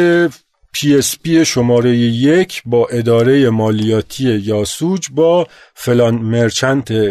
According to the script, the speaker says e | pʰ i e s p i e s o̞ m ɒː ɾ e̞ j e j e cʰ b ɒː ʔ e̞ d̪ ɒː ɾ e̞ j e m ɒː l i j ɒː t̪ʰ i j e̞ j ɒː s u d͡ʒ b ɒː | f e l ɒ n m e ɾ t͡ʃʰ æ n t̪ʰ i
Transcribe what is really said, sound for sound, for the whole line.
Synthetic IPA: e | pʰ i e s p i e ʃ o̞ m ɒː ɾ e̞ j e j e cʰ b ɒː ʔ e̞ d̪ ɒː ɾ e̞ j e m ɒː l i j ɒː t̪ʰ i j e̞ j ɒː s u d͡ʒ b ɒː | f e l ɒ n m e ɾ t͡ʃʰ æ n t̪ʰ e